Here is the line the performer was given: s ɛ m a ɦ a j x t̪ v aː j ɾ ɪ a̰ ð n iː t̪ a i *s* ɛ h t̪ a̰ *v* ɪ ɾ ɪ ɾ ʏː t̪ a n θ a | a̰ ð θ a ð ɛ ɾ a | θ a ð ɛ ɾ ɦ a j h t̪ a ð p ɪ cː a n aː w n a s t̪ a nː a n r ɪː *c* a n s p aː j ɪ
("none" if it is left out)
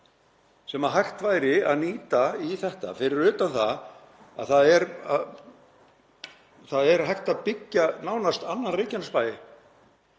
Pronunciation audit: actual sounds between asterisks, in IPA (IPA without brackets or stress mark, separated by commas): θ, f, c